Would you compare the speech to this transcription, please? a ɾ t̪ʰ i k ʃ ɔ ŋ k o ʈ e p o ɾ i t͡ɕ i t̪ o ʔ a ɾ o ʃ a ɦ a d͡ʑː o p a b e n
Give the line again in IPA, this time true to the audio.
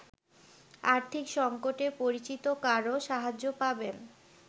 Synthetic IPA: a ɾ t̪ʰ i k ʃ ɔ ŋ k o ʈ e p o ɾ i t͡ɕ i t̪ o k a ɾ o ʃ a ɦ a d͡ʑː o p a b e n